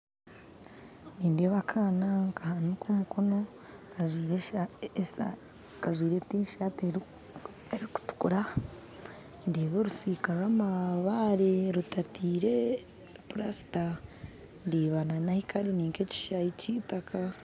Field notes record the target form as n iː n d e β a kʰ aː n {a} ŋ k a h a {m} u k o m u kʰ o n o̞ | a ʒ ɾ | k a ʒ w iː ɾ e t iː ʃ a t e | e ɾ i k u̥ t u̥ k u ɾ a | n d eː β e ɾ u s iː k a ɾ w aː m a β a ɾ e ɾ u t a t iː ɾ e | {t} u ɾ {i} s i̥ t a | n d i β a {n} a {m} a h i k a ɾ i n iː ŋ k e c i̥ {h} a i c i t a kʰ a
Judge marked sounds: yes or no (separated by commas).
yes, no, no, no, yes, no, no